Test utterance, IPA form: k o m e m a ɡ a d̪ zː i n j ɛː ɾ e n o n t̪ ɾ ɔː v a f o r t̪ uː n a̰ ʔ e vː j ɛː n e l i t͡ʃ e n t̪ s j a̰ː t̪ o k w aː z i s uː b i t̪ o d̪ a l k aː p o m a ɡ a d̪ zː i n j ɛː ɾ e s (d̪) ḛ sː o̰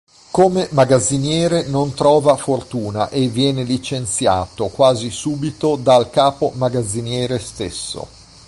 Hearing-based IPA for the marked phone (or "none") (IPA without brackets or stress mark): t̪